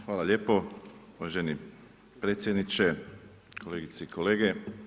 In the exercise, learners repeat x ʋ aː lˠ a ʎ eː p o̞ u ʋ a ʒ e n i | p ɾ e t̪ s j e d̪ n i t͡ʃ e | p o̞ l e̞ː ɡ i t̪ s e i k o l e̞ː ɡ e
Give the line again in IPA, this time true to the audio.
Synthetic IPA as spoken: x ʋ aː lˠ a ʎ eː p o̞ u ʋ a ʒ e n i | p ɾ e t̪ s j e d̪ n i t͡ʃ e | k o̞ l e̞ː ɡ i t̪ s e i k o l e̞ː ɡ e